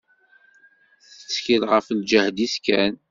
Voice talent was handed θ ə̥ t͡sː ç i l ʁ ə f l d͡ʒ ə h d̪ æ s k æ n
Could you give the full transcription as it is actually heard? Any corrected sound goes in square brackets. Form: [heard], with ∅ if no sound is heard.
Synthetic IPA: θ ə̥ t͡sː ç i l ʁ ə f l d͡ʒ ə h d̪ [i] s k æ n